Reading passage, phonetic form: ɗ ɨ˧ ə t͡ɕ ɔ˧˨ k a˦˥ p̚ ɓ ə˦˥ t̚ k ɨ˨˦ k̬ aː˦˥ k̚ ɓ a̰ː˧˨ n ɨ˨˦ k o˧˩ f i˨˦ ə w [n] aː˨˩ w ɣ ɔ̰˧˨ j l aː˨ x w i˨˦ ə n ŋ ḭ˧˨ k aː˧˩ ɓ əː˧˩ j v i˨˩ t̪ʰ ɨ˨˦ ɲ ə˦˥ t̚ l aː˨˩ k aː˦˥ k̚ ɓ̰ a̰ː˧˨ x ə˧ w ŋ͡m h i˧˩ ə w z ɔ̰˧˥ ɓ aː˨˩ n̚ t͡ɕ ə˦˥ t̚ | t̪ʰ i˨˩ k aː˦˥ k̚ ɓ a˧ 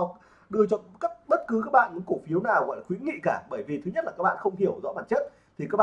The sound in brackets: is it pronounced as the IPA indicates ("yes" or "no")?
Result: yes